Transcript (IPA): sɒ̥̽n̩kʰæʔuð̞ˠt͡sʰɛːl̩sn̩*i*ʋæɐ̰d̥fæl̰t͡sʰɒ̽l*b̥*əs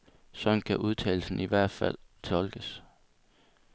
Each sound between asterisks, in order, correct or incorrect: correct, incorrect

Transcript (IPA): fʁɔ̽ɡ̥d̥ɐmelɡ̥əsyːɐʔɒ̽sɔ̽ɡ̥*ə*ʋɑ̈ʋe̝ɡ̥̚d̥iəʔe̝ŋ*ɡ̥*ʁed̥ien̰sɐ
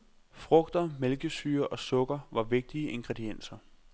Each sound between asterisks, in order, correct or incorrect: incorrect, correct

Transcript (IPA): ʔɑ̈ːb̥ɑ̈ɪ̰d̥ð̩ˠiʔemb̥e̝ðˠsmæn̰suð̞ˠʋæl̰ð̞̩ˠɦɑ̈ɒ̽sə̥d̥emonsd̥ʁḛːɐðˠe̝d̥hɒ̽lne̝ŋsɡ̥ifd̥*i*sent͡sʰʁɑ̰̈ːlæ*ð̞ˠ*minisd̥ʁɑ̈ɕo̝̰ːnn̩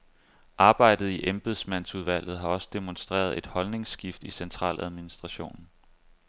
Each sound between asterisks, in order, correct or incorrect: correct, correct

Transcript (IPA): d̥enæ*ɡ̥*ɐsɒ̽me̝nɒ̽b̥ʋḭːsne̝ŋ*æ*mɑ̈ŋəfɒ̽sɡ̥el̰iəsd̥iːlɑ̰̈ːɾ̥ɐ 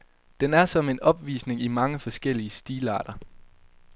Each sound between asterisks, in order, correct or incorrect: incorrect, incorrect

